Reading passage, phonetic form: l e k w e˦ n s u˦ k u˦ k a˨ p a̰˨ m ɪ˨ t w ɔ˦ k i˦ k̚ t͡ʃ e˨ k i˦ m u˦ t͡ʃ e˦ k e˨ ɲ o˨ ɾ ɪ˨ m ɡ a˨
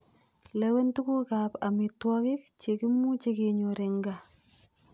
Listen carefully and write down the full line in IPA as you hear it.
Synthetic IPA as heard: l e w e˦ n t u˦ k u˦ k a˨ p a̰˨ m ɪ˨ t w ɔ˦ k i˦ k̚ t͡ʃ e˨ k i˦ m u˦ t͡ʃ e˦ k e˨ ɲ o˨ ɾ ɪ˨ ŋ ɡ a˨

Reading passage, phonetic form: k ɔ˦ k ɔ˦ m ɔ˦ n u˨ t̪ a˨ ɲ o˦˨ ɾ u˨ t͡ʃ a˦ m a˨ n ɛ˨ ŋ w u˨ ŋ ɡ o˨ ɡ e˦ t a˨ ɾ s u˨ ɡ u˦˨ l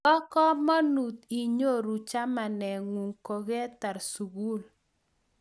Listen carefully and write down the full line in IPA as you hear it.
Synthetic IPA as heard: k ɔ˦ k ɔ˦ m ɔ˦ n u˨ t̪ i˨ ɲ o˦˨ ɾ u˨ t͡ʃ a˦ m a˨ n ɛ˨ ŋ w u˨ ŋ k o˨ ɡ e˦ t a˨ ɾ s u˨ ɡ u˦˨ l

